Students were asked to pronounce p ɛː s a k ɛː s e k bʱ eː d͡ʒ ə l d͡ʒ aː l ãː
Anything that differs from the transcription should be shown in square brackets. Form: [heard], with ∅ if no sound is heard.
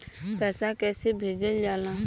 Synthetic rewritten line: p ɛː s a k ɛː s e [∅] bʱ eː d͡ʒ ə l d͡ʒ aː l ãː